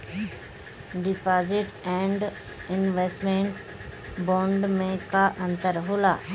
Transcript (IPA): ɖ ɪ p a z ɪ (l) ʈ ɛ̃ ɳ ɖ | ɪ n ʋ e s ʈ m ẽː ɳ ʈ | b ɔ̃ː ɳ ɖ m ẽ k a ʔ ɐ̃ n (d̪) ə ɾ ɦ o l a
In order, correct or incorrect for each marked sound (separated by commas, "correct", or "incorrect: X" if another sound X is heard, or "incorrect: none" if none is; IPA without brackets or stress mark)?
incorrect: none, incorrect: t̪